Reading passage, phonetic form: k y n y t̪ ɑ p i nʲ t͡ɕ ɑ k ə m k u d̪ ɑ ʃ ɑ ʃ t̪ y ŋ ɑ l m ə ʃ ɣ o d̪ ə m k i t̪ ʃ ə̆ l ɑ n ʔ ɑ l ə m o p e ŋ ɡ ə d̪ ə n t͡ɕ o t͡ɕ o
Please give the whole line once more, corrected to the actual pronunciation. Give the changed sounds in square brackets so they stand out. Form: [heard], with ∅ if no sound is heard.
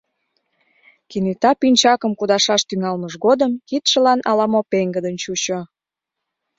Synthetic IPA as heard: k [i] n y t̪ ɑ p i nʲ t͡ɕ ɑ k ə m k u d̪ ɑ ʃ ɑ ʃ t̪ y ŋ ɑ l m ə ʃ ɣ o d̪ ə m k i t̪ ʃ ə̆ l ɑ n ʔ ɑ l [ɑ] m o p e ŋ ɡ ə d̪ ə n t͡ɕ [u] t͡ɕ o